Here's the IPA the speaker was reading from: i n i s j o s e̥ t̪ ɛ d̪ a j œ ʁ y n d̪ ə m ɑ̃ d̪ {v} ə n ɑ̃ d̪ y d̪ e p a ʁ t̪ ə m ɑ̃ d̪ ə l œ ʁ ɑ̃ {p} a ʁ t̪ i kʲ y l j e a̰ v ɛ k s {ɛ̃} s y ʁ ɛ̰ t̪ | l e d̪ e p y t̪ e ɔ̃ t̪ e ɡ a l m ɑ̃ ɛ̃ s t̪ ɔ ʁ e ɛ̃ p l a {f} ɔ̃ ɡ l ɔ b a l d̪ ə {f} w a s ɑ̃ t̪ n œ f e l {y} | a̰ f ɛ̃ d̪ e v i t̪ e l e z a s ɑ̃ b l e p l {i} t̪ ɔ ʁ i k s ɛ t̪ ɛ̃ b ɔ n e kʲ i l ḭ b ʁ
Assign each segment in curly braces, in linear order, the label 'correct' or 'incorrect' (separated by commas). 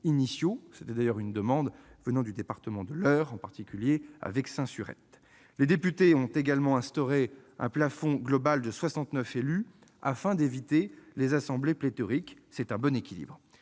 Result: correct, correct, correct, correct, incorrect, correct, incorrect